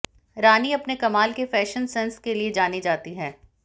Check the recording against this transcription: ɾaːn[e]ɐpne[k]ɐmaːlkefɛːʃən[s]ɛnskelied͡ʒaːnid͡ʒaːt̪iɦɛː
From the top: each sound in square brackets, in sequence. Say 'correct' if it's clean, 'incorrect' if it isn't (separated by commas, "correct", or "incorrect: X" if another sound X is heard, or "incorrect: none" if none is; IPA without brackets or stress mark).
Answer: incorrect: i, correct, correct